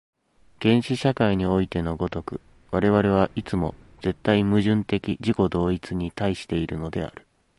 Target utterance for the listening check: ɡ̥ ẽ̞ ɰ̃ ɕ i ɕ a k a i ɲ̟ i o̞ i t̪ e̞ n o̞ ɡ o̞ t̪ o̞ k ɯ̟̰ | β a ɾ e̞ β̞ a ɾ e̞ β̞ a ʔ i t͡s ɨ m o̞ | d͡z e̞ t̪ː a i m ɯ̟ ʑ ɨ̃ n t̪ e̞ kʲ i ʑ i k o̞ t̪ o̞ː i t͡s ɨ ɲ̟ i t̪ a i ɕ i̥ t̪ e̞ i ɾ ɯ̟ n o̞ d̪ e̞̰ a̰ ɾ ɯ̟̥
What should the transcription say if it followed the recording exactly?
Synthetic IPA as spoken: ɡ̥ ẽ̞ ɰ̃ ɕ i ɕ a k a i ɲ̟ i o̞ i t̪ e̞ n o̞ ɡ o̞ t̪ o̞ k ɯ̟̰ | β a ɾ e̞ β̞ a ɾ e̞ β̞ a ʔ i t͡s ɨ m o̞ | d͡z e̞ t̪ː a i m ɯ̟ ʑ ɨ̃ n t̪ e̞ kʲ i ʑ i k o̞ d̪ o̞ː i t͡s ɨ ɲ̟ i t̪ a i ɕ i̥ t̪ e̞ i ɾ ɯ̟ n o̞ d̪ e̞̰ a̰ ɾ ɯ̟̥